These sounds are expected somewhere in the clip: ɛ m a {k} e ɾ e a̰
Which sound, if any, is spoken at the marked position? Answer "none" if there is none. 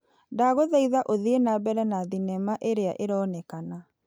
ʔ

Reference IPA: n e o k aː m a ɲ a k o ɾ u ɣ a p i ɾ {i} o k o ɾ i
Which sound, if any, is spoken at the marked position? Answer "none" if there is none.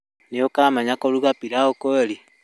a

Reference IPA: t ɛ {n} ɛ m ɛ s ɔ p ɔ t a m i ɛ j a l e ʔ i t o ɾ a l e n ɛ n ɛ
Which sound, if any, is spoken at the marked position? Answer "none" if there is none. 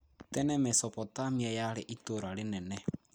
n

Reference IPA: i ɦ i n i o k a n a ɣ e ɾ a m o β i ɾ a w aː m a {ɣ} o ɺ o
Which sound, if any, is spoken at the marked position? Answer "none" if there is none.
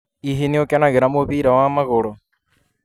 ɣ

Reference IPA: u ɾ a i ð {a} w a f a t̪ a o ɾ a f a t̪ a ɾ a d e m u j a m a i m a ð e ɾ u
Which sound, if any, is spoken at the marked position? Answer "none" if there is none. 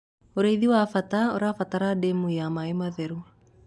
i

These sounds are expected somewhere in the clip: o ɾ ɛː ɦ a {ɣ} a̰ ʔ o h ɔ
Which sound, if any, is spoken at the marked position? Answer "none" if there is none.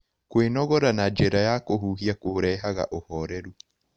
ɣ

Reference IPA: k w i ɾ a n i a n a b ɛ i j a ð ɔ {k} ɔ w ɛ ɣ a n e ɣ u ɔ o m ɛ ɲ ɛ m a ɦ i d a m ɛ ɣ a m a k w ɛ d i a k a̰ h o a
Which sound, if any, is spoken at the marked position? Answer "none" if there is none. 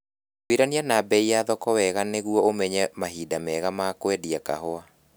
k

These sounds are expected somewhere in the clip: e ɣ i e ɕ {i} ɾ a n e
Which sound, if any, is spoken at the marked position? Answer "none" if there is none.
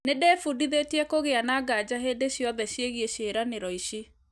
e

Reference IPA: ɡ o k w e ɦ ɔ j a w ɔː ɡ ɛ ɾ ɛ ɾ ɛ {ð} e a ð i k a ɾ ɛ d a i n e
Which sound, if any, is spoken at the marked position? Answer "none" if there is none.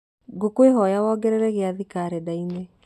ɣ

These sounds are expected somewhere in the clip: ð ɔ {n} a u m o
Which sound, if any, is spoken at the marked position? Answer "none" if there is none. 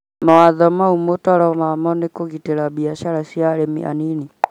m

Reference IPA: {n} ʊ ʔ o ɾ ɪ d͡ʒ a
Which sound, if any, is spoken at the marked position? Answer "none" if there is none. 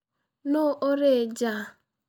n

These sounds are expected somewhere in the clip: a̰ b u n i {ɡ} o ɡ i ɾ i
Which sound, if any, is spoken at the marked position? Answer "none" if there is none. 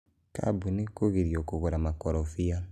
k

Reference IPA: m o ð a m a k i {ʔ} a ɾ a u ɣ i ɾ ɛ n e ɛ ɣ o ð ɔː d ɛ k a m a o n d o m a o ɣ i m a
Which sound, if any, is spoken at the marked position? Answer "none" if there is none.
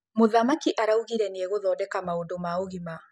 ʔ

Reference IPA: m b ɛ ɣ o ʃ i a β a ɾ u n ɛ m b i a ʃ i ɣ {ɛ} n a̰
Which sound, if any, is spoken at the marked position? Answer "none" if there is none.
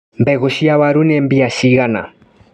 a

